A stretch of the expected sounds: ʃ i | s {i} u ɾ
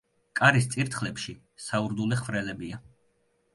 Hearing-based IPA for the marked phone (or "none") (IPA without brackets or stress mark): a